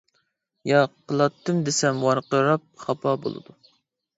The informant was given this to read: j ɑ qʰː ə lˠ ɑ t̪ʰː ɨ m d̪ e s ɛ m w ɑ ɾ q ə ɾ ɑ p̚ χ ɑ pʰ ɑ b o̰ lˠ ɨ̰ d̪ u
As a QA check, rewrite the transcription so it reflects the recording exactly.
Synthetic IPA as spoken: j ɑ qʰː ə lˠ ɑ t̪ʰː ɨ m d̪ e s ɛ m w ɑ ɾ q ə ɾ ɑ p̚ χ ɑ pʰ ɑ b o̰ lˠ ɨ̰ d̪ u